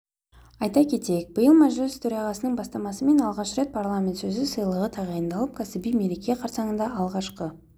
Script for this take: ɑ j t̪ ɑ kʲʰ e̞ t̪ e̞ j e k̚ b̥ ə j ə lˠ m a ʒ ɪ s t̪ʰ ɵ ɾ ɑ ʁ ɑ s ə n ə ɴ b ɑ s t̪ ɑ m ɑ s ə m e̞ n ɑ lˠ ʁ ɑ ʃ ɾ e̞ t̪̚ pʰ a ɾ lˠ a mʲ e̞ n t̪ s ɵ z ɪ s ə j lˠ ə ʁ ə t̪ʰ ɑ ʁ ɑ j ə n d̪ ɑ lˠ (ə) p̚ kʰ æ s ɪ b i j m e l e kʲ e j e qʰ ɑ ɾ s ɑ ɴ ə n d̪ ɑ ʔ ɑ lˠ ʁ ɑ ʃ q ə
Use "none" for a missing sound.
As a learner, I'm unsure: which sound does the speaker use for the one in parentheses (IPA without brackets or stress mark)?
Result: ə